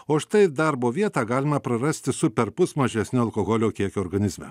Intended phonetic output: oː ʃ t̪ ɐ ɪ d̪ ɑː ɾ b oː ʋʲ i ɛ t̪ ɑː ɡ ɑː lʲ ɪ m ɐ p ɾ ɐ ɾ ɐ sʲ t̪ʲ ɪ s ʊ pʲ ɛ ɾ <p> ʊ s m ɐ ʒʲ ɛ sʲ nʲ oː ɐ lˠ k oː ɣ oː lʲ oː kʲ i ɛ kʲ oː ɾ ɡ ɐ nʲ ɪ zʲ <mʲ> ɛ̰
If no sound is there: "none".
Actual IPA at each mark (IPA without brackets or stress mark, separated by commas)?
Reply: p, mʲ